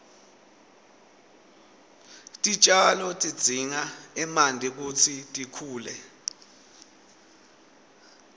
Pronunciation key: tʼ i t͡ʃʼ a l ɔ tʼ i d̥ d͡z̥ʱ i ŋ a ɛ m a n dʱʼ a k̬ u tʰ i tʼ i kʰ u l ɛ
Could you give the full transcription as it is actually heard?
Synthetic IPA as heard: tʼ i t͡ʃʼ a l ɔ tʼ i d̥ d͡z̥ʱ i ŋ a ɛ m a n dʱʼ i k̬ u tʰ i tʼ i kʰ uː l ɛ